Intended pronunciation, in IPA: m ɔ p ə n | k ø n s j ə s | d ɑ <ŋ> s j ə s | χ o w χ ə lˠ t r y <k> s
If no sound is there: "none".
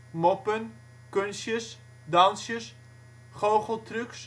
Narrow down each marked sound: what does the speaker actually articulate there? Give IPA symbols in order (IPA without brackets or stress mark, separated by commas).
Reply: n, k